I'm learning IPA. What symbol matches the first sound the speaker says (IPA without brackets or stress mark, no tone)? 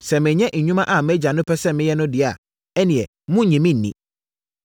s